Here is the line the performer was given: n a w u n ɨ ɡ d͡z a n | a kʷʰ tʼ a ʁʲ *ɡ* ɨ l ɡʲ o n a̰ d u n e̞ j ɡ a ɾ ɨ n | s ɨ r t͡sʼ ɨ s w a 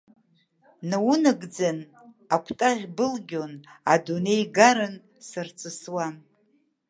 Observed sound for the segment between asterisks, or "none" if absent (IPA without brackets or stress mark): b